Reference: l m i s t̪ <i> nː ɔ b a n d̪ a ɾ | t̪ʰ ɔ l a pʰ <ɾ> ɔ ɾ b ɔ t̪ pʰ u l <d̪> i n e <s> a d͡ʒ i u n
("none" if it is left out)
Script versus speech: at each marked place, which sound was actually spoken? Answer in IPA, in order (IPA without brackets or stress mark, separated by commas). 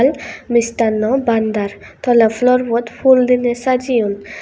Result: a, l, d̪, s